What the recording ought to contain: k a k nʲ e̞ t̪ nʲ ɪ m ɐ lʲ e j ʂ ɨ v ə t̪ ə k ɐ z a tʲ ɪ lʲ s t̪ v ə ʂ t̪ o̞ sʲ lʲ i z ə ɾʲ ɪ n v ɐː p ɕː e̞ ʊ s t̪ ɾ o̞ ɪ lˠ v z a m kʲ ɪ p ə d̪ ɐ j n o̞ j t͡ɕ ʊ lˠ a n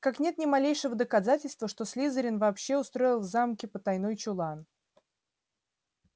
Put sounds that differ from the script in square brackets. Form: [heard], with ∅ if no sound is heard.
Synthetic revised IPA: k a k nʲ e̞ t̪ nʲ ɪ m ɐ lʲ e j ʂ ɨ v ə [d̪] ə k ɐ z a tʲ ɪ lʲ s t̪ v ə ʂ t̪ o̞ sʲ lʲ i z ə ɾʲ ɪ n v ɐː p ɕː e̞ ʊ s t̪ ɾ o̞ ɪ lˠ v z a m kʲ ɪ p ə [t̪] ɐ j n o̞ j t͡ɕ ʊ lˠ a n